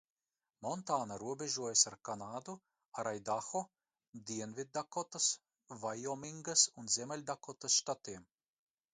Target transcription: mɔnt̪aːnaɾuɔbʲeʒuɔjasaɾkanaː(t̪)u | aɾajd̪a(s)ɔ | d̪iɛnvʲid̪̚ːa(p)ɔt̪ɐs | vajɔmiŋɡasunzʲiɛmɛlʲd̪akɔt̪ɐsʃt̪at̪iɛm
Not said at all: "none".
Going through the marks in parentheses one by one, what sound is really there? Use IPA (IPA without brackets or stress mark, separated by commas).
d̪, x, k